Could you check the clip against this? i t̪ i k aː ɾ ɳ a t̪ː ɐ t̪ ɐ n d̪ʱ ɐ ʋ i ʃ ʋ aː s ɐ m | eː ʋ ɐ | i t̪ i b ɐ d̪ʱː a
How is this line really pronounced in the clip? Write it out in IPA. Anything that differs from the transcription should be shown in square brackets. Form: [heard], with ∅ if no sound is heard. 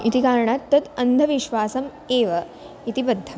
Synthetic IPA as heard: i t̪ i k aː ɾ ɳ a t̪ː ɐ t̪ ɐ n d̪ʱ ɐ ʋ i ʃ ʋ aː s ɐ m | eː ʋ ɐ | i t̪ i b ɐ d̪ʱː [ɐ]